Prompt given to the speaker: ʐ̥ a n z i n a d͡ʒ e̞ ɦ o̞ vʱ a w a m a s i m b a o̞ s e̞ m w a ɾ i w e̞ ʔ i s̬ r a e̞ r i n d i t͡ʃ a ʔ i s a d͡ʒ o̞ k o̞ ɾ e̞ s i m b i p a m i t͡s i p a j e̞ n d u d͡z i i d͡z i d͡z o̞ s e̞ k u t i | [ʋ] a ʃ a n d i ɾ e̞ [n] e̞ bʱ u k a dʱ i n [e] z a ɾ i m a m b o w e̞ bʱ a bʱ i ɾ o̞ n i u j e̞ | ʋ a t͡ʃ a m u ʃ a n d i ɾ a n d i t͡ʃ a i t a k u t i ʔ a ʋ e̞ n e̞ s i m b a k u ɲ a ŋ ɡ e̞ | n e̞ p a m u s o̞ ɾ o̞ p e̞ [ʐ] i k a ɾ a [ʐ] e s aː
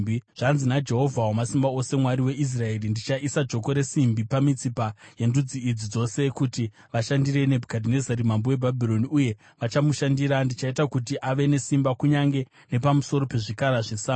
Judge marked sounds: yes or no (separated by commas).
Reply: yes, yes, yes, yes, yes